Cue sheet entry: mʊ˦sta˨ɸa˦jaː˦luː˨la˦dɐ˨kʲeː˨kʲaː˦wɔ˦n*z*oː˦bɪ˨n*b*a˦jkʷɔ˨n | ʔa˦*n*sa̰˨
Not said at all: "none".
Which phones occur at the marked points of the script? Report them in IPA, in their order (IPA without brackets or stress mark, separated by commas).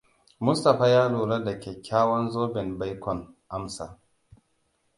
z, b, m